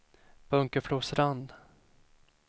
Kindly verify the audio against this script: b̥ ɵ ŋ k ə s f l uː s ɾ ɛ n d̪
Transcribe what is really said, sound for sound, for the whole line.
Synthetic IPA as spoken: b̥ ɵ ŋ k ə f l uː s ɾ a n d̪